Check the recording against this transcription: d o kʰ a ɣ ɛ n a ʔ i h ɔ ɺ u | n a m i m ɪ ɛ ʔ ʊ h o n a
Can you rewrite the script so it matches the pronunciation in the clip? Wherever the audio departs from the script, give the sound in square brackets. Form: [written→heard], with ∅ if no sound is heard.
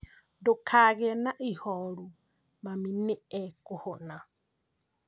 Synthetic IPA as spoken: d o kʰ a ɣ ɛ n a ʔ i h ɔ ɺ u | [n→m] a m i [m→n] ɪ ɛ [ʔ→k] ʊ h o n a